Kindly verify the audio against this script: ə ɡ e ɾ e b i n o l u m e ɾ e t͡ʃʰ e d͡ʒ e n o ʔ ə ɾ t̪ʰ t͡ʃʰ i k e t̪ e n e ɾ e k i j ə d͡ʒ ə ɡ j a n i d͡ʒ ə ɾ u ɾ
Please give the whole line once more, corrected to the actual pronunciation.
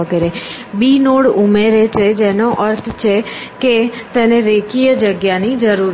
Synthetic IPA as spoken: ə ɡ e ɾ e b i n o ɽ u m e ɾ e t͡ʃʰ e d͡ʒ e n o ʔ ə ɾ t̪ʰ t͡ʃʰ e k e t̪ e n e ɾ e k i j ə d͡ʒ ə ɡ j a n i d͡ʒ ə ɾ u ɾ